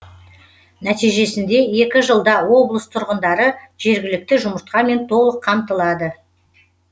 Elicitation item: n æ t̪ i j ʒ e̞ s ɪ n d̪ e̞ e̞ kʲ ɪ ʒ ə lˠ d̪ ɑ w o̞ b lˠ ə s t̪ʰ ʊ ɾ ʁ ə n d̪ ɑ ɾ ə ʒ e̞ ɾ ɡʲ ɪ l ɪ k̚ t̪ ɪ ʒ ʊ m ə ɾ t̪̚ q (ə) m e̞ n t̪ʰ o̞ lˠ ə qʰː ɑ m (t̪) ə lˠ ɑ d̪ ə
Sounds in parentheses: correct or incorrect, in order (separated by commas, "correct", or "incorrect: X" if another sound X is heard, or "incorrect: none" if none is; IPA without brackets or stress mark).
incorrect: ɑ, correct